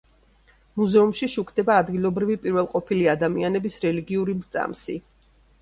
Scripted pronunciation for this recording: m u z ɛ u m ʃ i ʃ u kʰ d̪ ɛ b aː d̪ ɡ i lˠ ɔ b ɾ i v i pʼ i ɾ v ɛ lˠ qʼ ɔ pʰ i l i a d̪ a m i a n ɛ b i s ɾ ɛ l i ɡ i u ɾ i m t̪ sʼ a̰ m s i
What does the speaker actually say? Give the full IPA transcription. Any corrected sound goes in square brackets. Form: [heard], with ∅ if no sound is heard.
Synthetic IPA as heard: m u z ɛ u m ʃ i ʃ u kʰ d̪ ɛ b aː d̪ ɡ i lˠ ɔ b ɾ i v i pʼ i ɾ v ɛ lˠ qʼ ɔ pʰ i l i a d̪ a m i a n ɛ b i s ɾ ɛ l i ɡ i u ɾ i m t̪ sʼ a̰ m s i